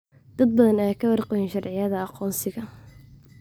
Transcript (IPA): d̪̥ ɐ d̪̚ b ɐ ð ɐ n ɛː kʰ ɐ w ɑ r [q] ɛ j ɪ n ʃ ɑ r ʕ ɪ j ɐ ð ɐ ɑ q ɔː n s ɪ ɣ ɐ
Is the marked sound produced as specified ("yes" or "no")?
yes